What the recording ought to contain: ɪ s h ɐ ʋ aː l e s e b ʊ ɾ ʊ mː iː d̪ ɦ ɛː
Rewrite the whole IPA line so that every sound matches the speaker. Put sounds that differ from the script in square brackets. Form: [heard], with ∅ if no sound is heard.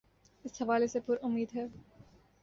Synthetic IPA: ɪ s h ɐ ʋ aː l e s e [p] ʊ ɾ ʊ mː iː d̪ ɦ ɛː

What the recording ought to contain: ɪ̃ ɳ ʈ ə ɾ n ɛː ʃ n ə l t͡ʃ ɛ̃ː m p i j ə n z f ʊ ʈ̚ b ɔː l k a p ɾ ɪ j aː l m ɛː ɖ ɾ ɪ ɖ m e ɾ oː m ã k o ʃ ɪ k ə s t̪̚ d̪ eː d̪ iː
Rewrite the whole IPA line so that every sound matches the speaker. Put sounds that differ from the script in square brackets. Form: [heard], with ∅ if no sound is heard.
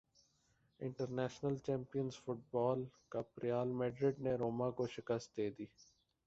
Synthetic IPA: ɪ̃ ɳ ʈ ə ɾ n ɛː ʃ n ə l t͡ʃ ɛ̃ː m p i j ə n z f ʊ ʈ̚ b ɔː l k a p ɾ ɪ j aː l m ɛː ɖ ɾ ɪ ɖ [n] e ɾ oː m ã k o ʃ ɪ k ə s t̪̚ d̪ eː d̪ iː

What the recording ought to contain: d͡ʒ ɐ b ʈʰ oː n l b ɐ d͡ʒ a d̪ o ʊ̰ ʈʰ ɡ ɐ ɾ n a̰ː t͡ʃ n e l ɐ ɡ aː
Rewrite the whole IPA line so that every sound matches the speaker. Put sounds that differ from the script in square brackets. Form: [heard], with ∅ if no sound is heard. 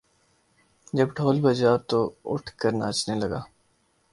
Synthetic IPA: d͡ʒ ɐ b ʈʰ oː [∅] l b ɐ d͡ʒ a [t̪] o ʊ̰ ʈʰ [k] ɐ ɾ n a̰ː t͡ʃ n e l ɐ ɡ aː

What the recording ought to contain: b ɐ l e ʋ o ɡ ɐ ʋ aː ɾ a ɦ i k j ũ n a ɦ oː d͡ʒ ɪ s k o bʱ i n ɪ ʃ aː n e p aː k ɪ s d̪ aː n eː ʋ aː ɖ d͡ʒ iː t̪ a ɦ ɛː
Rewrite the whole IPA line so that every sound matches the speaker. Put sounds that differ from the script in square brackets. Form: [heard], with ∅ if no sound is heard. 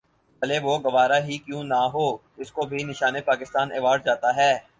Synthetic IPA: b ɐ l e ʋ o ɡ ɐ ʋ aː ɾ a ɦ i k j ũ n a ɦ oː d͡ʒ ɪ s k o bʱ i n ɪ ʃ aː n e p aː k ɪ s [t̪] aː n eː ʋ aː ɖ d͡ʒ [aː] t̪ a ɦ ɛː

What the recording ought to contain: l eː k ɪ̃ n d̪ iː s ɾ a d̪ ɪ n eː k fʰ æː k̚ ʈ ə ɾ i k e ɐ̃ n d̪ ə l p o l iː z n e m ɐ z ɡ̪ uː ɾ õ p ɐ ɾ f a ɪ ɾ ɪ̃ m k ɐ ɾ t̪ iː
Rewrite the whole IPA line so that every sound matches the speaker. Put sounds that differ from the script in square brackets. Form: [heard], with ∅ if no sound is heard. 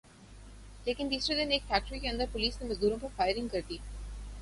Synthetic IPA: l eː k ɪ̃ n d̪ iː s ɾ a d̪ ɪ n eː k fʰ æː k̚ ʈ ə ɾ i k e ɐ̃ n d̪ ə [ɾ] p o l iː [s] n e m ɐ z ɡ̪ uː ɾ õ p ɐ ɾ f a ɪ ɾ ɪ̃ [ŋ] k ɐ ɾ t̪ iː

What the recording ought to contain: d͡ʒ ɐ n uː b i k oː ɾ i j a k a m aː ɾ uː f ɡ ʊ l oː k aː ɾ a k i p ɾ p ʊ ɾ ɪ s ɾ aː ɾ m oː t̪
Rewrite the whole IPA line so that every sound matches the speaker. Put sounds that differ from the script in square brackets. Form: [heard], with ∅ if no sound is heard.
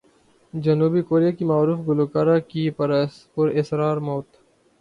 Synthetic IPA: d͡ʒ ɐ n uː b i k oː ɾ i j a k [i] m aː ɾ uː f ɡ ʊ l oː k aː ɾ a k i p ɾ p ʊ ɾ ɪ s ɾ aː ɾ m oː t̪

